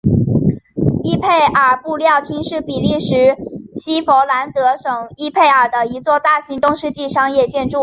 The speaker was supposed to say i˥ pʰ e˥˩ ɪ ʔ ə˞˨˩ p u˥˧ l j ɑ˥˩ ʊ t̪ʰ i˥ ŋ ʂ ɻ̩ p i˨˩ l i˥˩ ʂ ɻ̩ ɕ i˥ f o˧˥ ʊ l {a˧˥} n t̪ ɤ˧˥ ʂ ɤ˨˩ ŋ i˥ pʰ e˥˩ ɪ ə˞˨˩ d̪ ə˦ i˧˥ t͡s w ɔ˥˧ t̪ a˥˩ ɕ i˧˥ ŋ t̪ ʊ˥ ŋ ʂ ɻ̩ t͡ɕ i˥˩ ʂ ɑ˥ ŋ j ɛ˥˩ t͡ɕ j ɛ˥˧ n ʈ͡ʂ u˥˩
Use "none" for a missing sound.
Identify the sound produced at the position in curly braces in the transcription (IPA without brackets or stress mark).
a˧˥